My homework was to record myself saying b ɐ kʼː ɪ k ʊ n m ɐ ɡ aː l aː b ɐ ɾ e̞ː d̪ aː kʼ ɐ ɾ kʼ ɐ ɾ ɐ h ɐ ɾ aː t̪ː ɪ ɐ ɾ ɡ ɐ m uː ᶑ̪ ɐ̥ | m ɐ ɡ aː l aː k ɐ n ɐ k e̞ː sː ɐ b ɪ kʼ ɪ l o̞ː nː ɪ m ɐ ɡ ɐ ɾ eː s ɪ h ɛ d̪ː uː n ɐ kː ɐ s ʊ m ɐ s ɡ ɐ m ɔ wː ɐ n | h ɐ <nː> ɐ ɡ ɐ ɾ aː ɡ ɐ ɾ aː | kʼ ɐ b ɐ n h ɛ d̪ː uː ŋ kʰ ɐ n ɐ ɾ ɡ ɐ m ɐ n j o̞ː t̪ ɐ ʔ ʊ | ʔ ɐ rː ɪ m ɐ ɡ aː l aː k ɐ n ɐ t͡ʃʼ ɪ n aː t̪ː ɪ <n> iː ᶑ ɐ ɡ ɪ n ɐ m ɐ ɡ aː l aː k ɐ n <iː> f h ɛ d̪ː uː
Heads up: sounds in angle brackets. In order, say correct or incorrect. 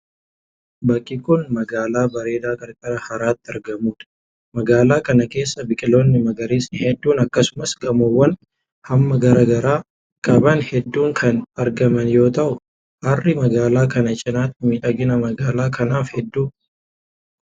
incorrect: mː, incorrect: m, incorrect: aː

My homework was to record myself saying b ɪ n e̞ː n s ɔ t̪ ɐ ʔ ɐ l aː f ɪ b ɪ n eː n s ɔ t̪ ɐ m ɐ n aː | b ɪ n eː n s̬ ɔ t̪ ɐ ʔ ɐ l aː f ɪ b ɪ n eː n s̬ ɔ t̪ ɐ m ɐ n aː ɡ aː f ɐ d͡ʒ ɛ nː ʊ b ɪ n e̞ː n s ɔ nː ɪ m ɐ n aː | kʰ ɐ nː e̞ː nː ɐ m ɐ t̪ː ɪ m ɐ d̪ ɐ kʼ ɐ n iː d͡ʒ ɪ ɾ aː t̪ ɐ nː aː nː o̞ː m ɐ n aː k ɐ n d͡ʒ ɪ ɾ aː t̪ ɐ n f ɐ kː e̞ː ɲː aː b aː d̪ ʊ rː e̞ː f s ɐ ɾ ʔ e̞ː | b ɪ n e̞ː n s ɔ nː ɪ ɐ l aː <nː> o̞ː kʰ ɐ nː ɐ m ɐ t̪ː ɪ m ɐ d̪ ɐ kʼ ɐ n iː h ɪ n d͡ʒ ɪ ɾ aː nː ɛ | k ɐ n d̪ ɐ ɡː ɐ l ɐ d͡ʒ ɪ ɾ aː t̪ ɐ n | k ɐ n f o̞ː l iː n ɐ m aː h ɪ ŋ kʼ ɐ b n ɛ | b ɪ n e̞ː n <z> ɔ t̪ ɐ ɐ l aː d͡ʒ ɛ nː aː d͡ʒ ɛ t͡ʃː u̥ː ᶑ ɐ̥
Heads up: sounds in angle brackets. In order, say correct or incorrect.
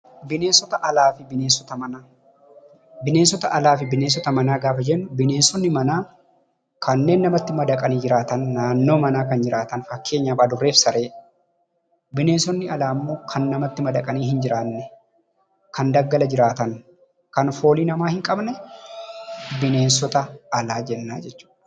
incorrect: mː, incorrect: s

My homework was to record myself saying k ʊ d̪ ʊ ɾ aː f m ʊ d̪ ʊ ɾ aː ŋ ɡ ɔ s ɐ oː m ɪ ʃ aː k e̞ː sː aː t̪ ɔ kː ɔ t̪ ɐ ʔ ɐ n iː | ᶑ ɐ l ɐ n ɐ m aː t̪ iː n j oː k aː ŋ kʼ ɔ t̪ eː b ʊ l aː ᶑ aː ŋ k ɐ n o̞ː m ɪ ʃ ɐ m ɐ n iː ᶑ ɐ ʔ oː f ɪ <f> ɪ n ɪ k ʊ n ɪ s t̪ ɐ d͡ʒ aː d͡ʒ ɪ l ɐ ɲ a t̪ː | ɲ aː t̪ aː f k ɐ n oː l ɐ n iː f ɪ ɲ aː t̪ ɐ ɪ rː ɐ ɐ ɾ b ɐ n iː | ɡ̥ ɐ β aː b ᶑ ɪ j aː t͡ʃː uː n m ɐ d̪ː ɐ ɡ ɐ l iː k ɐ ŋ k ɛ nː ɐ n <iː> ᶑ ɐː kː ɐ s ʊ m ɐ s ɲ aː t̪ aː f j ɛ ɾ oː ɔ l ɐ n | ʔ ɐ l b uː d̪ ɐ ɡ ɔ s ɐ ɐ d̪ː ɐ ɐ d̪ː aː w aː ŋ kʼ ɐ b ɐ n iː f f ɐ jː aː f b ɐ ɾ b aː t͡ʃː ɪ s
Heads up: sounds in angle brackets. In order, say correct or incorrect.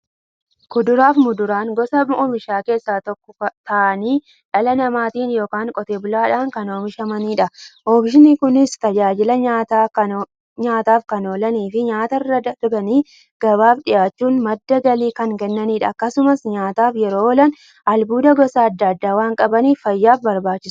incorrect: ʃ, correct

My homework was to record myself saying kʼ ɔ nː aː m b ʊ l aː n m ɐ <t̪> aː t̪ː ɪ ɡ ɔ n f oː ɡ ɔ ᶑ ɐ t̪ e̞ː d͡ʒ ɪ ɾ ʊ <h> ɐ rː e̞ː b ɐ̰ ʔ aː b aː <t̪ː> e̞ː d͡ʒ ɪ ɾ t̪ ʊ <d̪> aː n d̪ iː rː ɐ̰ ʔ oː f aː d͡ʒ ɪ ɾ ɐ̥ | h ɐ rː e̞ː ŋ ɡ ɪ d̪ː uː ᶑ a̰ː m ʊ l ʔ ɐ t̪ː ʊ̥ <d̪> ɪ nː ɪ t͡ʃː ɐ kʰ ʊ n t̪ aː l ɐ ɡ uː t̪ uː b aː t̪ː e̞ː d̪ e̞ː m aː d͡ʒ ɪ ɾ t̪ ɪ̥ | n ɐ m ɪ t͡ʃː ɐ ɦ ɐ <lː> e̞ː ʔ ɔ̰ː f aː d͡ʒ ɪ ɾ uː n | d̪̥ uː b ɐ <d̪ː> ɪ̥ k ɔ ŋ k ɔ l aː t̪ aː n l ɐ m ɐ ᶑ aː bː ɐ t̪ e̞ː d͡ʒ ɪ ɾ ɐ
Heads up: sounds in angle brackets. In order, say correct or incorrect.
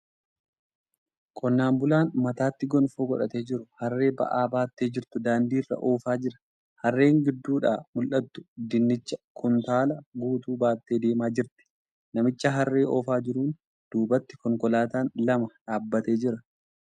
correct, correct, correct, correct, correct, incorrect: rː, incorrect: t̪ː

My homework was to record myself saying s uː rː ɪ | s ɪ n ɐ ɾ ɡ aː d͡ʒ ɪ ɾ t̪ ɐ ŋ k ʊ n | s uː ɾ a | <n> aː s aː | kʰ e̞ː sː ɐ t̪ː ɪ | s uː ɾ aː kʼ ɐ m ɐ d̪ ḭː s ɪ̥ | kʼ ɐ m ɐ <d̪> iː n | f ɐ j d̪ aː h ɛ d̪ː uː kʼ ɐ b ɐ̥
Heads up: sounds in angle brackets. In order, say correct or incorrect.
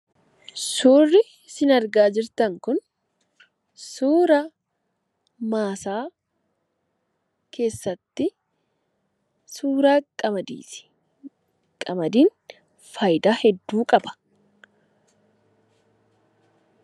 incorrect: m, correct

